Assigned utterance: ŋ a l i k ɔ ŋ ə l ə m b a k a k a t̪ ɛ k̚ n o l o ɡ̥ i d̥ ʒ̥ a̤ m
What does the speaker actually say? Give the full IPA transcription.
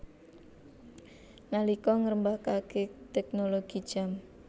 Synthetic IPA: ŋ a l i k ɔ ŋ ə ɾ ə m b a k a k e t̪ ɛ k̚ n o l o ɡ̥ i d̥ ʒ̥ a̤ m